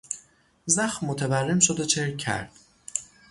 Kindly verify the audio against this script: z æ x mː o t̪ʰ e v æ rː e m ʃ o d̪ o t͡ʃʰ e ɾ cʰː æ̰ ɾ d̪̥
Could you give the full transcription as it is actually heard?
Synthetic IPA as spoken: z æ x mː o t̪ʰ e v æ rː e m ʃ o d̪ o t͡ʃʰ e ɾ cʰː æ̰ ɾ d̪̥